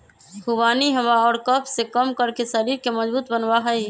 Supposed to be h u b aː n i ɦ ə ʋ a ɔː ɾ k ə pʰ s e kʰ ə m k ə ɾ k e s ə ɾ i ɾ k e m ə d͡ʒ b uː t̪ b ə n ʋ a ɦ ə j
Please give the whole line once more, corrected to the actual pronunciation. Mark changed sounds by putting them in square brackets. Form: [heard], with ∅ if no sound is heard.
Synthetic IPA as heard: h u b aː n i ɦ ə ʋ a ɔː ɾ k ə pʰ s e [k] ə m k ə ɾ k e s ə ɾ i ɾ k e m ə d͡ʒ b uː t̪ b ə n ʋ a ɦ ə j

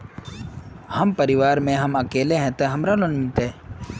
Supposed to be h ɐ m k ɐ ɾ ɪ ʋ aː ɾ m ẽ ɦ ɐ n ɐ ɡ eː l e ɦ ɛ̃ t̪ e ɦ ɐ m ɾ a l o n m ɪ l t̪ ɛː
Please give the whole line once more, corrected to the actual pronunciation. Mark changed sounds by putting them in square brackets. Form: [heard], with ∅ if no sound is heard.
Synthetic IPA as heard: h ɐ m [p] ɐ ɾ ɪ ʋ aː ɾ m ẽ ɦ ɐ [m] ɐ [k] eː l e ɦ ɛ̃ t̪ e ɦ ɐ m ɾ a l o n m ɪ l t̪ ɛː

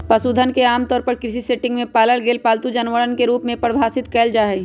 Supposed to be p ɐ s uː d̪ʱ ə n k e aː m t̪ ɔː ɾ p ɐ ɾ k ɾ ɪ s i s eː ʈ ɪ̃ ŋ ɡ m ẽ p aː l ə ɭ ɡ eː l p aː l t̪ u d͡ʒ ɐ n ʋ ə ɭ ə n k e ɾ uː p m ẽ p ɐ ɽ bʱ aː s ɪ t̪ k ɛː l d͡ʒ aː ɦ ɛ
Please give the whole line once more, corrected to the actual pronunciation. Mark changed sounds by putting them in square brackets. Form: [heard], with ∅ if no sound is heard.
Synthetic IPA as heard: p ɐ s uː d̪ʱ ə n k e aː m t̪ ɔː ɾ p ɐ ɾ k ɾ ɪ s i s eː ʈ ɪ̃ ŋ ɡ m ẽ p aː l ə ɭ ɡ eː l p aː l t̪ u d͡ʒ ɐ n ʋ ə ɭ ə n k e ɾ uː p m ẽ p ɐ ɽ bʱ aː s ɪ t̪ k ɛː l d͡ʒ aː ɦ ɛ

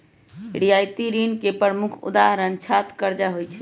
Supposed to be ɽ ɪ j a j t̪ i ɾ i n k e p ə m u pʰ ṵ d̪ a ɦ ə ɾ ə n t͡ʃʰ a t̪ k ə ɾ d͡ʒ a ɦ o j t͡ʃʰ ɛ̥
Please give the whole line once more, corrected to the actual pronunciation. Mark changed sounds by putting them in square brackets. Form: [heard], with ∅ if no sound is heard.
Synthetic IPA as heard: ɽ [i] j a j t̪ i ɾ i n k e p ə m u [kʰ] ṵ d̪ a ɦ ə ɾ ə n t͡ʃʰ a t̪ k ə ɾ d͡ʒ a ɦ o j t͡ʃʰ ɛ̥

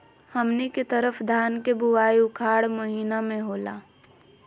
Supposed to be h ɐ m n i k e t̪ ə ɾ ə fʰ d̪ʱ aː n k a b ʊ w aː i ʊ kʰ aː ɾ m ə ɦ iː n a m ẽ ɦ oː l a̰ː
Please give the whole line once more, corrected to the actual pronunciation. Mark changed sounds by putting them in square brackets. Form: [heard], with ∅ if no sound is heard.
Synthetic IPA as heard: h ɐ m n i k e t̪ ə ɾ ə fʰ d̪ʱ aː n k [e] b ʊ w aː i ʊ kʰ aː [ɽ] m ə ɦ iː n a m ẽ ɦ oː l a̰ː

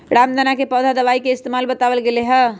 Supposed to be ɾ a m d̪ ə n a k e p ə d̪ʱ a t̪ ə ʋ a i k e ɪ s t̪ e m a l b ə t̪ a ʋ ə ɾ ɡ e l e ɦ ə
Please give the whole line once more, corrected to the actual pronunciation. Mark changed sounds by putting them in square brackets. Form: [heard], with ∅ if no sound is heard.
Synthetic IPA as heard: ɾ a m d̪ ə n a k e p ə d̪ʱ a [d̪] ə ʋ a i k e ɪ s t̪ e m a l b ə t̪ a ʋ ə [l] ɡ e l e ɦ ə

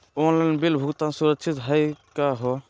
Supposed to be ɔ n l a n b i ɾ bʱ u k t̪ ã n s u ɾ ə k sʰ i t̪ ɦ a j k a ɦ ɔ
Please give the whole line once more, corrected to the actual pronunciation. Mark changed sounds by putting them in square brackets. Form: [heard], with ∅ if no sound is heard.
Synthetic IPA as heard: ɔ n l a n b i [l] bʱ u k t̪ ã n s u ɾ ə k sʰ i t̪ ɦ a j k a ɦ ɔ

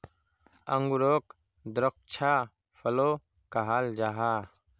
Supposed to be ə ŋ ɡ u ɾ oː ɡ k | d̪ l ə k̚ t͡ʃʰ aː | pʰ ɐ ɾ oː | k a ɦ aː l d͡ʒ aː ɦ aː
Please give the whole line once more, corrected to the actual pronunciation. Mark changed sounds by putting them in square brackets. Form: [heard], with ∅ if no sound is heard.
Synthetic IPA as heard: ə ŋ ɡ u ɾ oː [∅] k | d̪ [ɾ] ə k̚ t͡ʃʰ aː | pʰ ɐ [l] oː | k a ɦ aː l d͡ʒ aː ɦ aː

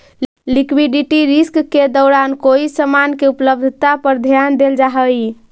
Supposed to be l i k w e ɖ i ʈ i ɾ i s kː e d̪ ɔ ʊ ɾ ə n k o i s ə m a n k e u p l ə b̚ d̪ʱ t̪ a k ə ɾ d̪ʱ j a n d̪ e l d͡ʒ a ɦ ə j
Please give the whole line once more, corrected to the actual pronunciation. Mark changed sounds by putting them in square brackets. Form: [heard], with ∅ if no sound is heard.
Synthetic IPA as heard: l i k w [i] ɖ i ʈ i ɾ i s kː e d̪ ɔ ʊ ɾ [a] n k o i s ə m a n k e u p l ə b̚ d̪ʱ t̪ a [p] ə ɾ d̪ʱ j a n d̪ e l d͡ʒ a ɦ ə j

